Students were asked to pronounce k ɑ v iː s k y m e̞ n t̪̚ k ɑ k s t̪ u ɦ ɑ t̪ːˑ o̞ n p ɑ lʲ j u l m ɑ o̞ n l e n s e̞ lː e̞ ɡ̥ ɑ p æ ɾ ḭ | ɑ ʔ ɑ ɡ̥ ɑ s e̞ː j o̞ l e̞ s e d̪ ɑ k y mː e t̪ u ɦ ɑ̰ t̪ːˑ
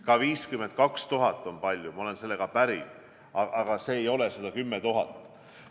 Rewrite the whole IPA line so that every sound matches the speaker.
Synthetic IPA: k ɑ v iː s k y m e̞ n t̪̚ k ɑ k s t̪ u ɦ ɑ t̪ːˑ o̞ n p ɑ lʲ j u m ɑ o̞ l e n s e̞ lː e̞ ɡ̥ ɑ p æ ɾ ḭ | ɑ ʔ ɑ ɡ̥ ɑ s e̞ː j o̞ l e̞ s e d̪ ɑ k y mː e t̪ u ɦ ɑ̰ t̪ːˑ